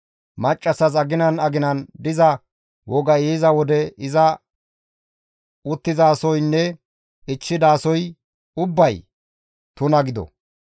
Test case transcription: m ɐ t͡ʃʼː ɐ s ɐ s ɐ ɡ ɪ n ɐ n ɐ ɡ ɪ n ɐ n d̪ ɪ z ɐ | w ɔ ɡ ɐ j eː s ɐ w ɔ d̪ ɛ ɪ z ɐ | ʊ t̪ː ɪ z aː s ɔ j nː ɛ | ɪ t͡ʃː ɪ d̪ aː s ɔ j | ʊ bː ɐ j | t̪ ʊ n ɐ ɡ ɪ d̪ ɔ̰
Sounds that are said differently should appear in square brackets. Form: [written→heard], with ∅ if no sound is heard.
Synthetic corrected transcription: m ɐ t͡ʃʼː ɐ s ɐ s ɐ ɡ ɪ n ɐ n ɐ ɡ ɪ n ɐ n d̪ ɪ z ɐ | w ɔ ɡ ɐ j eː [s→z] ɐ w ɔ d̪ ɛ ɪ z ɐ | ʊ t̪ː ɪ z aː s ɔ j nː ɛ | ɪ t͡ʃː ɪ d̪ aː s ɔ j | ʊ bː ɐ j | t̪ ʊ n ɐ ɡ ɪ d̪ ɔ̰